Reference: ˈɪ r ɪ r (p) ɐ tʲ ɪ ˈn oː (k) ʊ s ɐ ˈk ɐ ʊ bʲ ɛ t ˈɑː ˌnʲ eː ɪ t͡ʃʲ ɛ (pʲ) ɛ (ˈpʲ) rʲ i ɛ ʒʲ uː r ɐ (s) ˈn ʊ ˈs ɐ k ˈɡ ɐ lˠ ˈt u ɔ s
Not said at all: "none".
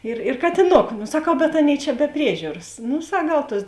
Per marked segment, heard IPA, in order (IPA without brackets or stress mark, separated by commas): k, k, bʲ, pʲ, s